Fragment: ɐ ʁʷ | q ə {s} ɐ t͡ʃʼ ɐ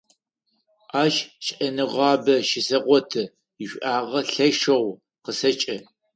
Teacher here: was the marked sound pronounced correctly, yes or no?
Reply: yes